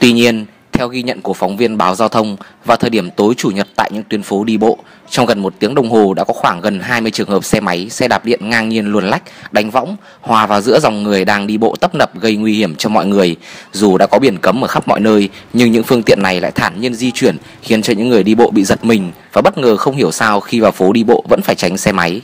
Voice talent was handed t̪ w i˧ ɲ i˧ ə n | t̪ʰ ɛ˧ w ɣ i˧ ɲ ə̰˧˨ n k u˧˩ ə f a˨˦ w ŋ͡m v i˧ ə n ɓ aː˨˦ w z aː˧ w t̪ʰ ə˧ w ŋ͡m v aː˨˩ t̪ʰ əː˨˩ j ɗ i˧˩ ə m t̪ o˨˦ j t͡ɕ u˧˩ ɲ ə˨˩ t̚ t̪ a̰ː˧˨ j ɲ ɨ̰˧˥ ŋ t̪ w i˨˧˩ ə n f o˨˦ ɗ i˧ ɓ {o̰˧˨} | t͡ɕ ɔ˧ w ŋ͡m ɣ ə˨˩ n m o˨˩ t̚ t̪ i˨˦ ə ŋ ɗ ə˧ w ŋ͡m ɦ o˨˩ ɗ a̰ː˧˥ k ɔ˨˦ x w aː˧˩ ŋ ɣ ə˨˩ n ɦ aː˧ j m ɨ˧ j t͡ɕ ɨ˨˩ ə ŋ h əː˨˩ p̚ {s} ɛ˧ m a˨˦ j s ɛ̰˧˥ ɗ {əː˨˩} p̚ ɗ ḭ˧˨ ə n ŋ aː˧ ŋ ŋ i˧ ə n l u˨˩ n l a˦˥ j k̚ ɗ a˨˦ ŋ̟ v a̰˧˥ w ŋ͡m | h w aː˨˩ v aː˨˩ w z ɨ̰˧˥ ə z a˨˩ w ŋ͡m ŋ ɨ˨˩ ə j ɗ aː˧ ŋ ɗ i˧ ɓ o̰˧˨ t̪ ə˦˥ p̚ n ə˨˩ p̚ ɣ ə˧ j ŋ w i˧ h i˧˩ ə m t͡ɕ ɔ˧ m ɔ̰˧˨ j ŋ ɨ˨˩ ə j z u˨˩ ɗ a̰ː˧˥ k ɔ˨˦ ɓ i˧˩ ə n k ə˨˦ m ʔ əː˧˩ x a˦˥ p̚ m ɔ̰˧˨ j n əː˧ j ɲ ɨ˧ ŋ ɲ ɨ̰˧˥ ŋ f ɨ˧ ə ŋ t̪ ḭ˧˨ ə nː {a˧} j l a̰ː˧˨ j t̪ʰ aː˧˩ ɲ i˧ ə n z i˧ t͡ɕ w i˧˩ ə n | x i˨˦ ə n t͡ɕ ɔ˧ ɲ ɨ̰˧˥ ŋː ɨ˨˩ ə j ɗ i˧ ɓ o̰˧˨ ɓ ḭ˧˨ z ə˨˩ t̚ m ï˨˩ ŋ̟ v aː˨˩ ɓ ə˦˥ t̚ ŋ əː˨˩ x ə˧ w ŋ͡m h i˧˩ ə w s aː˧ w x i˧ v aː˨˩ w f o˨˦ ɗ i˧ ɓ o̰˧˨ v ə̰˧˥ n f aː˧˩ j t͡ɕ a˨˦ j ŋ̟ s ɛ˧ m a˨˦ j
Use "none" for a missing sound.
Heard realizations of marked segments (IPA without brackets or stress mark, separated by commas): o̰˧˨, s, aː˨˩, a˨˩